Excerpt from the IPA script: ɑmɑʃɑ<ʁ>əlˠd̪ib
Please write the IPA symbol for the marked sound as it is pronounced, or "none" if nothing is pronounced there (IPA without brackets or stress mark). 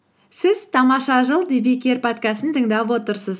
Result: ʒ